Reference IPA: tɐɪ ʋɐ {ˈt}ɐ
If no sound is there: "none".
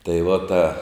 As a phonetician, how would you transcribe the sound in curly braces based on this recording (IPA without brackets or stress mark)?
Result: t